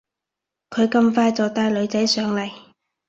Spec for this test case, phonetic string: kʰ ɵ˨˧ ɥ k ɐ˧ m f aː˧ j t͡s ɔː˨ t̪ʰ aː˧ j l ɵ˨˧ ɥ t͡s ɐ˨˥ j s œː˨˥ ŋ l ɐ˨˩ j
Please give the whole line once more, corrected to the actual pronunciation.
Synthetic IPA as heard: kʰ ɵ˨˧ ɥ k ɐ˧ m f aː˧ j t͡s ɔː˨ t̪ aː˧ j l ɵ˨˧ ɥ t͡s ɐ˨˥ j s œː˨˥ ŋ l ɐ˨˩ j

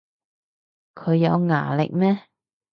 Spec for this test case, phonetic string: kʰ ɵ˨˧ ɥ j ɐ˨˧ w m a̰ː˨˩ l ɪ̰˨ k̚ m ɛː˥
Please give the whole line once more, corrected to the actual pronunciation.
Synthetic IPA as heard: kʰ ɵ˨˧ ɥ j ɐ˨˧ w ŋ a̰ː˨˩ l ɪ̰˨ k̚ m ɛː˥

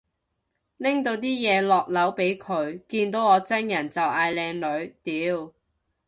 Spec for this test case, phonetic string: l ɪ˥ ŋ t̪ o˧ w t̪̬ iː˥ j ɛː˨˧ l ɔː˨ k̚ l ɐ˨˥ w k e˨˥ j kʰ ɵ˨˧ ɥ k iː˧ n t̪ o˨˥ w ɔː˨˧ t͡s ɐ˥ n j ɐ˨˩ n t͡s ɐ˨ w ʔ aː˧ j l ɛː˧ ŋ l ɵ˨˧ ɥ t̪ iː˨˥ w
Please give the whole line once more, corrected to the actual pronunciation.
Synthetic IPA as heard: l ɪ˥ ŋ t̪ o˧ w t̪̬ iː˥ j ɛː˨˧ l ɔː˨ k̚ l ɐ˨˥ w p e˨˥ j kʰ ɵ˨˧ ɥ k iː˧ n t̪ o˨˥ w ɔː˨˧ t͡s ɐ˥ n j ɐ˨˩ n t͡s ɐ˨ w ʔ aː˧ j l ɛː˧ ŋ l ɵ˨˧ ɥ t̪ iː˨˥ w

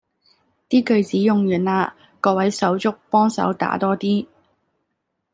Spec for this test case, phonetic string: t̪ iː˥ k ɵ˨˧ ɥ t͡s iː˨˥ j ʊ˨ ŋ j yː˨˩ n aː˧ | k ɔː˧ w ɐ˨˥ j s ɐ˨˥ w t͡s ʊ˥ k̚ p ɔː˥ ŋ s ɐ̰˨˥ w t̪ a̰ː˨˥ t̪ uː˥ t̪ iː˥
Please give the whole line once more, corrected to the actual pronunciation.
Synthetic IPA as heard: t̪ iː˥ k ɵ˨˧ ɥ t͡s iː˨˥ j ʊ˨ ŋ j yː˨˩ n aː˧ | k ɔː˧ w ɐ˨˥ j s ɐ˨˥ w t͡s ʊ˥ k̚ p ɔː˥ ŋ s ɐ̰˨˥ w t̪ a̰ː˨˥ t̪ ɔː˥ t̪ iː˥

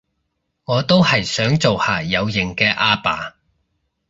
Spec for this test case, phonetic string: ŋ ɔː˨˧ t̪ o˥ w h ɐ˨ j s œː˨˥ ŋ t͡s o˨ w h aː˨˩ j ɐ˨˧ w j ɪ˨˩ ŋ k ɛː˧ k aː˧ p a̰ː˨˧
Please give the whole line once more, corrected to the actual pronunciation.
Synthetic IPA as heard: ŋ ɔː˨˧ t̪ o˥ w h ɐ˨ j s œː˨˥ ŋ t͡s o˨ w h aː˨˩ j ɐ˨˧ w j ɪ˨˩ ŋ k ɛː˧ ʔ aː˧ p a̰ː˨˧

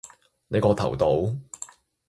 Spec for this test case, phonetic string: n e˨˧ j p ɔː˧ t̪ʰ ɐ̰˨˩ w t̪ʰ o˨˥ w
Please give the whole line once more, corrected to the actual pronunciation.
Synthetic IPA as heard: n e˨˧ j k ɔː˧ t̪ʰ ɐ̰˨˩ w t̪ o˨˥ w

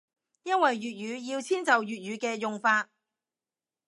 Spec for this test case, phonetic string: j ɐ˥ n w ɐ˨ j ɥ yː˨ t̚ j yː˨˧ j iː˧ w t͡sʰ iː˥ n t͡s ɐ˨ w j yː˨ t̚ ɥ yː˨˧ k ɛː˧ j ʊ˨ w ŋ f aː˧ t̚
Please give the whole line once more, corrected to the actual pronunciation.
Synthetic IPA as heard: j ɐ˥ n w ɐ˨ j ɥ yː˨ t̚ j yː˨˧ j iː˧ w t͡sʰ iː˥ n t͡s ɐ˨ w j yː˨ t̚ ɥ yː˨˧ k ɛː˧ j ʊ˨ ŋ f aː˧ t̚

